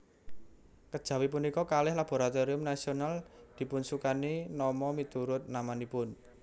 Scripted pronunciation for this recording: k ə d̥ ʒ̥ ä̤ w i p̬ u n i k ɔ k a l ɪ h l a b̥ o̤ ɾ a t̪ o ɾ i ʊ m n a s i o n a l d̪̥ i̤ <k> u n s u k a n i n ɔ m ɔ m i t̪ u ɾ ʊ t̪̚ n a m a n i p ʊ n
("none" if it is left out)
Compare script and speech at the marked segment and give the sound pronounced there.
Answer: p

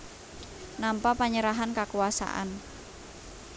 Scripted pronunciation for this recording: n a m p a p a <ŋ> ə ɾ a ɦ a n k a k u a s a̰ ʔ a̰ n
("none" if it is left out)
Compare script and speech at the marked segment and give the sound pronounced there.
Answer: ɲ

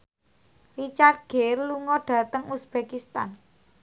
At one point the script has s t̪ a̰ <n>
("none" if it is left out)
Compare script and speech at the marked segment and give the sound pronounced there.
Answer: n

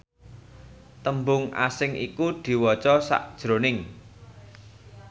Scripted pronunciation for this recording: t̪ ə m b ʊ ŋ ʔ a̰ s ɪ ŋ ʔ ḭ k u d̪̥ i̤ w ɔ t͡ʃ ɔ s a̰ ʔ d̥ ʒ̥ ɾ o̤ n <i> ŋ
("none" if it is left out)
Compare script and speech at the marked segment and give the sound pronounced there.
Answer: ɪ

